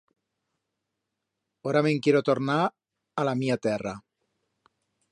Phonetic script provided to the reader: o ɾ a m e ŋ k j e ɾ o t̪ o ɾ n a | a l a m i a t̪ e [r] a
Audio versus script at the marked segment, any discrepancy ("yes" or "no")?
no